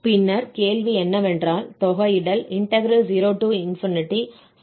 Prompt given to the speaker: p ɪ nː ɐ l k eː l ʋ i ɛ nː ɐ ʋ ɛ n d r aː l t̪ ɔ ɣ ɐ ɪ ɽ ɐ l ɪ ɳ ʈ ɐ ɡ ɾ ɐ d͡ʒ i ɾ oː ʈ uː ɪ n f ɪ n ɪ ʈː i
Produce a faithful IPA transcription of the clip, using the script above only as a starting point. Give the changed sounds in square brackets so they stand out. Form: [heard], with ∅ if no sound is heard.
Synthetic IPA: p ɪ nː ɐ [ɾ] k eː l ʋ i ɛ nː ɐ ʋ ɛ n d r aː l t̪ ɔ ɣ ɐ ɪ ɽ ɐ l ɪ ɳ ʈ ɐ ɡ ɾ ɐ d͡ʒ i ɾ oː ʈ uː ɪ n f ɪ n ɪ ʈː i